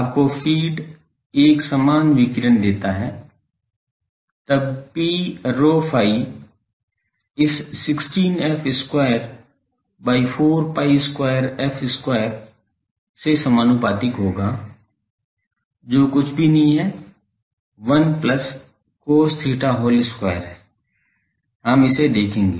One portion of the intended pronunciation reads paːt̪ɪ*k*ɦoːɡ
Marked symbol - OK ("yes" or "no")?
yes